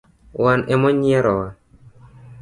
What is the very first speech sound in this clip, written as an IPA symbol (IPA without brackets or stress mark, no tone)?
w